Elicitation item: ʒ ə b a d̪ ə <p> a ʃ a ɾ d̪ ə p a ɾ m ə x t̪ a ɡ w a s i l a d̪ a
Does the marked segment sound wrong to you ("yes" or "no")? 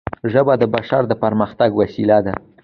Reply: yes